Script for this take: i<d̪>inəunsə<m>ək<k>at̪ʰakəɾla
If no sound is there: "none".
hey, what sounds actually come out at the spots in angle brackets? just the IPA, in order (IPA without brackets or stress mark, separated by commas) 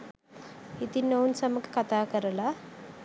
t̪, m, k